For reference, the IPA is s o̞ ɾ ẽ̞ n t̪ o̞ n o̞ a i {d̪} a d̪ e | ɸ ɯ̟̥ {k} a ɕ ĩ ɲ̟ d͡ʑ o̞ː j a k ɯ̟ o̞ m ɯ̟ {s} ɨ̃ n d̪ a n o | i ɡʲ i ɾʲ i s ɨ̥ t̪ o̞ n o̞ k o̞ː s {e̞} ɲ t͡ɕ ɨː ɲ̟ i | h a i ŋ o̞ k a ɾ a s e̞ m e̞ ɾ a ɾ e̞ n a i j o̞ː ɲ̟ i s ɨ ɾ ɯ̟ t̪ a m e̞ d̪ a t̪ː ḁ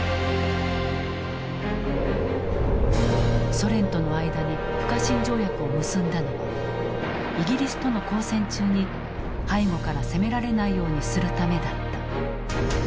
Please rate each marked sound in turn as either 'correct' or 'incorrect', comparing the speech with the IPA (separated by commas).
correct, correct, correct, incorrect